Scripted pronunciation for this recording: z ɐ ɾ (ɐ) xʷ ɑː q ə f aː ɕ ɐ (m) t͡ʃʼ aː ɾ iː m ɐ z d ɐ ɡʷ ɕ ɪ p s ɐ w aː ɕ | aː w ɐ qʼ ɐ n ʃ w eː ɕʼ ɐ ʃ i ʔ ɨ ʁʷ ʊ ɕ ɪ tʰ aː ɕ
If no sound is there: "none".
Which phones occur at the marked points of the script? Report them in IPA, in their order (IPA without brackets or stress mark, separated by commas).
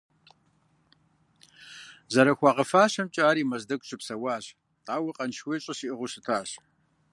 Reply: ɐ, m